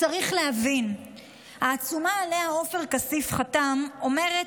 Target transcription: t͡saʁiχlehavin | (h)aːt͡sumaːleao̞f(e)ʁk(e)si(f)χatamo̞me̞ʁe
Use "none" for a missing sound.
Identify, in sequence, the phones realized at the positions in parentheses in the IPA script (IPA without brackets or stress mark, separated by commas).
h, e, a, f